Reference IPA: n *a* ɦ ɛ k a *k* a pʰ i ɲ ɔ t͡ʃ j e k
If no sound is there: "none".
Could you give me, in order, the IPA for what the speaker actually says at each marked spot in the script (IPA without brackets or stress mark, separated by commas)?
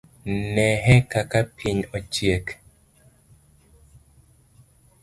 ɛ, k